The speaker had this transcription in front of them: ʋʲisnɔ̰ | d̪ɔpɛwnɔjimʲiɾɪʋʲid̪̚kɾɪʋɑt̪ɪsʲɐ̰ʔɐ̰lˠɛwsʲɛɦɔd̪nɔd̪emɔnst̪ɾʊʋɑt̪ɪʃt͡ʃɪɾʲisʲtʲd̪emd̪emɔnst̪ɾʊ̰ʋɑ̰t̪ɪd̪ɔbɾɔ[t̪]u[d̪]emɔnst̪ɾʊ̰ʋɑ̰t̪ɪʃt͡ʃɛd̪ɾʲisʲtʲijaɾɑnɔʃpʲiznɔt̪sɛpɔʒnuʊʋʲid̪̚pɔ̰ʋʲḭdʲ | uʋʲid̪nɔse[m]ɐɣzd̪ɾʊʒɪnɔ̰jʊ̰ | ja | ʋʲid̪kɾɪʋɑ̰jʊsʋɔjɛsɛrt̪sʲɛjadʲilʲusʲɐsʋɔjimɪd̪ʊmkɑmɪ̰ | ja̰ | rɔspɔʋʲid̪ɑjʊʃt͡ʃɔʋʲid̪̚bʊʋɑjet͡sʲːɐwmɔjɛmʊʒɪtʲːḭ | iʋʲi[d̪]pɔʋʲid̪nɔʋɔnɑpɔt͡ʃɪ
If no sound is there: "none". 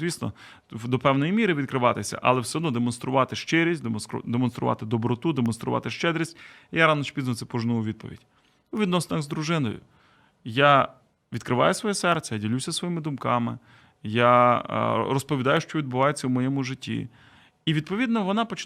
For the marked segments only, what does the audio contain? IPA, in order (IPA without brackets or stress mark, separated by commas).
t̪, d̪, n, d̪